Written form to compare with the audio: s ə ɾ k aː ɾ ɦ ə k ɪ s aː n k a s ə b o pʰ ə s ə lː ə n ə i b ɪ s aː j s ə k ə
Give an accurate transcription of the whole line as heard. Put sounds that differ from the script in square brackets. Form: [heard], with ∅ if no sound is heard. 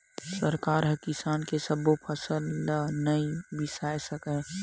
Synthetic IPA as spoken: s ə ɾ k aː ɾ ɦ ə k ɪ s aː n k [e] s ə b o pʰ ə s ə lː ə n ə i b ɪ s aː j s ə k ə